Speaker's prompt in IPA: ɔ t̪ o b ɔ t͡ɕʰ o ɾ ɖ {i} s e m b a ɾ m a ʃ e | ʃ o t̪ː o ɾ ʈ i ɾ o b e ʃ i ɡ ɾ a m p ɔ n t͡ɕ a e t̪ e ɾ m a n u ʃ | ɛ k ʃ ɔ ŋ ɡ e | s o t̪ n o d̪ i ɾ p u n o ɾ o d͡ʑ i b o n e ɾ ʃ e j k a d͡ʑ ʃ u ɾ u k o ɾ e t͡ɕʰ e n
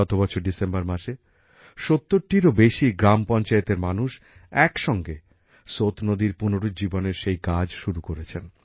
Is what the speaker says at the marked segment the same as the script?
yes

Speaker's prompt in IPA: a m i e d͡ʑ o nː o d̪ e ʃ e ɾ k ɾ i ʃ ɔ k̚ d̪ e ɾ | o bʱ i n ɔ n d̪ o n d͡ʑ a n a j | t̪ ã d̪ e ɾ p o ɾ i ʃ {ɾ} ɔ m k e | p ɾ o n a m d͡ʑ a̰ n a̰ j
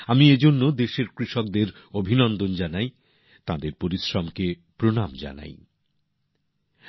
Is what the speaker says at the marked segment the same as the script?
yes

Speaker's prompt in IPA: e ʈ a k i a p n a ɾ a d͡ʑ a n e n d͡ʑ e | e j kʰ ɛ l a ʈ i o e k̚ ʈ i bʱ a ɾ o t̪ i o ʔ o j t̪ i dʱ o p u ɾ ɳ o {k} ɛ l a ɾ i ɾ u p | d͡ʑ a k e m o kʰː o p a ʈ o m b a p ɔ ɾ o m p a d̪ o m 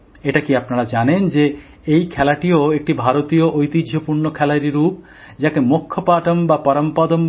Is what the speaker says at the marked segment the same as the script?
no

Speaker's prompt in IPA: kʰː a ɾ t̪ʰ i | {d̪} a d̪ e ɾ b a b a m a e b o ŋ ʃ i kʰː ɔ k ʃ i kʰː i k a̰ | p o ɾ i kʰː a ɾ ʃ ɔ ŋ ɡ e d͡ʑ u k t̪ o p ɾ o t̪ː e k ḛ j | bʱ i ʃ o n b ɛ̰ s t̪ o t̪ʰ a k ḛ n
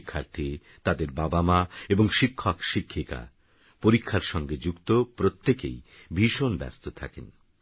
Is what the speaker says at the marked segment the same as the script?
no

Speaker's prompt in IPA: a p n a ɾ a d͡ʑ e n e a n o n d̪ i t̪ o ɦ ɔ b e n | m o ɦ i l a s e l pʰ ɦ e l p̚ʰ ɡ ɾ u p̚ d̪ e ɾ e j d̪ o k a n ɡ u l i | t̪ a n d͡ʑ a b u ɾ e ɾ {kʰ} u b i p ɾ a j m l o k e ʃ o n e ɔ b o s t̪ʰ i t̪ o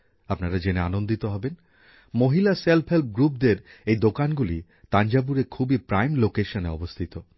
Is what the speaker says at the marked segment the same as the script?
yes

